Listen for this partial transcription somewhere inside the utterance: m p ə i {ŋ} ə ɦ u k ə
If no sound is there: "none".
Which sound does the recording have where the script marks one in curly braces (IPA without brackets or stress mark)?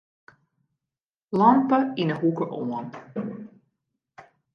n